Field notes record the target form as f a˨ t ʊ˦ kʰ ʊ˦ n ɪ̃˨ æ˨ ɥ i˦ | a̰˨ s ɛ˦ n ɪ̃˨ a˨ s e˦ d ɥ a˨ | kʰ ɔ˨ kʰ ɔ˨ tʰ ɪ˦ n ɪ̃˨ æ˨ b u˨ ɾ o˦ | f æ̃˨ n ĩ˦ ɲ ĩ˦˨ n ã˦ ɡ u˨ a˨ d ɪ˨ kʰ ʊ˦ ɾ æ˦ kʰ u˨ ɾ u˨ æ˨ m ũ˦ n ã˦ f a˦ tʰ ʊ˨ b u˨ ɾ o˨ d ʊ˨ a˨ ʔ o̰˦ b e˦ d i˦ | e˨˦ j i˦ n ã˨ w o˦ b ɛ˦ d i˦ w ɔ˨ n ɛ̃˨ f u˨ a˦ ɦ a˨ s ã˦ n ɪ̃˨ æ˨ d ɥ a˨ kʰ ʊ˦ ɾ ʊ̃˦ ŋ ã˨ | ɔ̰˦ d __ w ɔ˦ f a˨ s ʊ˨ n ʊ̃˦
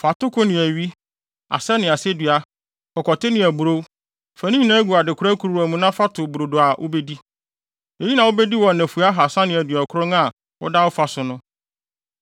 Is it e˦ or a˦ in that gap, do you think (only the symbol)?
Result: a˦